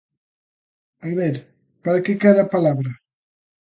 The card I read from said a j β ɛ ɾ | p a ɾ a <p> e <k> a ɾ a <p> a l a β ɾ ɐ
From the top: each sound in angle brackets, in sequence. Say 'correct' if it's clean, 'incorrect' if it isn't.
incorrect: k, correct, correct

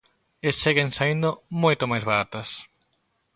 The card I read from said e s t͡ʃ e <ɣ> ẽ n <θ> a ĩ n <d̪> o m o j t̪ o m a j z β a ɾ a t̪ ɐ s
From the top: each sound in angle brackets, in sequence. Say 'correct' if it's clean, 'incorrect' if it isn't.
correct, incorrect: s, correct

